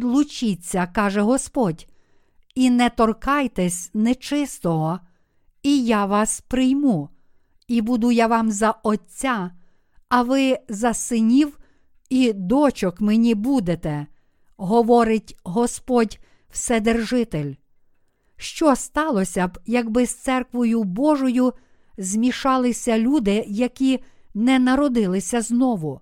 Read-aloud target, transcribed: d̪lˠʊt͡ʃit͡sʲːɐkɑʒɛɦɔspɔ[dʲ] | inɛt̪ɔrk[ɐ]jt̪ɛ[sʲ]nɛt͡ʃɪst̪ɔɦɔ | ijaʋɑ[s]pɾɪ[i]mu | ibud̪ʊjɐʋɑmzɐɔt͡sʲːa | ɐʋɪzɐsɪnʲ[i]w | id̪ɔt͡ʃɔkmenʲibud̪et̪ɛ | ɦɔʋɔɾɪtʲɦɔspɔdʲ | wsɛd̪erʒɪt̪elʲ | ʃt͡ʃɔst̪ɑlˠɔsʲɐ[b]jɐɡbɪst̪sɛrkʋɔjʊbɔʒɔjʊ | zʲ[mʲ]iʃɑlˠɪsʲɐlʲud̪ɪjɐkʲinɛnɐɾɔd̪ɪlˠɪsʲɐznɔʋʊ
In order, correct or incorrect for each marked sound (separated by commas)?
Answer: correct, incorrect, correct, correct, incorrect, correct, correct, correct